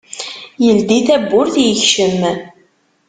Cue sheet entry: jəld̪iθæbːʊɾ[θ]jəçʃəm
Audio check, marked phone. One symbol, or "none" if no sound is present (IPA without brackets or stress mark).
θ